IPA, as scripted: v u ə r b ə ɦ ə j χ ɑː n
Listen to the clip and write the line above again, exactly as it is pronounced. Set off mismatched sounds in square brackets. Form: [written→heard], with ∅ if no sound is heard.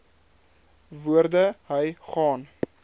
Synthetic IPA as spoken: v u ə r [b→d] ə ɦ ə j χ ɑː n